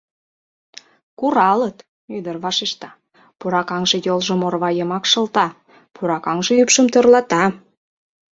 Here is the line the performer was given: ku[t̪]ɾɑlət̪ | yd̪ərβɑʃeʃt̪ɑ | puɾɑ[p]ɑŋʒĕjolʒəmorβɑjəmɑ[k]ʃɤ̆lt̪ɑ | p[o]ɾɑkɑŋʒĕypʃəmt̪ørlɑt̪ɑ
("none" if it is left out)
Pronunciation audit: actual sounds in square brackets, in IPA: none, k, k, u

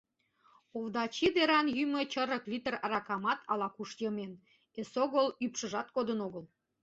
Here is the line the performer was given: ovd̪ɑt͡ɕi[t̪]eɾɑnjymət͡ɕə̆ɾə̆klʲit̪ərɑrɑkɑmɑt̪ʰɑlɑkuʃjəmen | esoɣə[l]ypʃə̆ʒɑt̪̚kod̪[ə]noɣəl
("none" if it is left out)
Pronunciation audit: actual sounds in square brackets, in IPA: d̪, l, ə

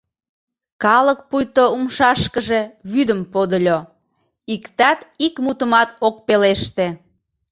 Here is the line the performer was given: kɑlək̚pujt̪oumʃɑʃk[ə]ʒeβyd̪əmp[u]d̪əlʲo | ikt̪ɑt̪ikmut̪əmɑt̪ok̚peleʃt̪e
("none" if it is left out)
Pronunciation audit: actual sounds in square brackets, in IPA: ə, o

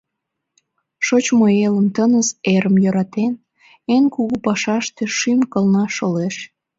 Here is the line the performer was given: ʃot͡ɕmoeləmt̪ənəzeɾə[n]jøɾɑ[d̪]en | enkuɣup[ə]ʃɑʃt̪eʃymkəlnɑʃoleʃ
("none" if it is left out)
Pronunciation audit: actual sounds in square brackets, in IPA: m, t̪, ɑ

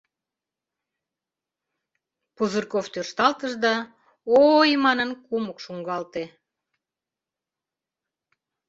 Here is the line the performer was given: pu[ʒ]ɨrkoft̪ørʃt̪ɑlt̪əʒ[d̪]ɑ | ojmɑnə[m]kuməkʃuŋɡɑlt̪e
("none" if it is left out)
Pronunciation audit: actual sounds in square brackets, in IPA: z, d̪, n

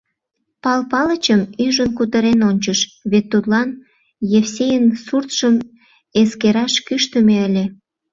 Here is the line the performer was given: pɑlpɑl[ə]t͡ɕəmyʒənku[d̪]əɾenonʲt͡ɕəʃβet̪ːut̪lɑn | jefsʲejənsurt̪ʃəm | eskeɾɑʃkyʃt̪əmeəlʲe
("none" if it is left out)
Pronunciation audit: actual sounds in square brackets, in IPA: ə, t̪

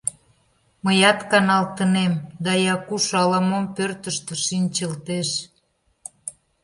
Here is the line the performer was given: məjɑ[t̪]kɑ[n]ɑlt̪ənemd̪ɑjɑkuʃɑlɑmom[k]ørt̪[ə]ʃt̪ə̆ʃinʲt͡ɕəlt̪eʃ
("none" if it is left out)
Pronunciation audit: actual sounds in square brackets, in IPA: t̪, n, p, ə

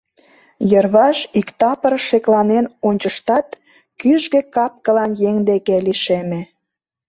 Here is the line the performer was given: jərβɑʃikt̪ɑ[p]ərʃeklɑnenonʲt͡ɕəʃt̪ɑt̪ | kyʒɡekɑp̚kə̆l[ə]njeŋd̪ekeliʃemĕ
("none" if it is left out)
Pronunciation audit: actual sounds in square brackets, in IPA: p, ɑ

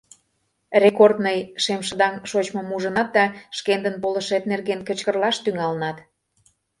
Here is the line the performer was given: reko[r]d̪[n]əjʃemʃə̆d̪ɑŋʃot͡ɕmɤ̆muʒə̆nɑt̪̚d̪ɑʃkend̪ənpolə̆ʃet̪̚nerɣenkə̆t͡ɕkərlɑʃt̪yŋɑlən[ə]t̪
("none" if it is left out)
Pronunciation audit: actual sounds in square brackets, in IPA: r, n, ɑ

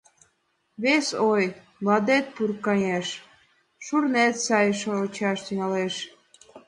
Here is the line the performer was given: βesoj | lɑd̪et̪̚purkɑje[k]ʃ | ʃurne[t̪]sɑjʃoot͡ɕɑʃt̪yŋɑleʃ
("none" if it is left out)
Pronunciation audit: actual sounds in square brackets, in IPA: none, t̪

